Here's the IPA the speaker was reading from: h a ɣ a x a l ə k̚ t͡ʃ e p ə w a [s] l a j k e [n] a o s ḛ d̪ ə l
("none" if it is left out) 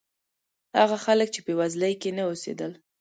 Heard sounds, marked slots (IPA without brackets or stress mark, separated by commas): z, n